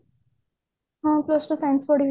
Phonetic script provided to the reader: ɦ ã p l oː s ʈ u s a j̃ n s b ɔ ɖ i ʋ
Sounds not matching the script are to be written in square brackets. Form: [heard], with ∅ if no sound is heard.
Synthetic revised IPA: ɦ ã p l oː s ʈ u s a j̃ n s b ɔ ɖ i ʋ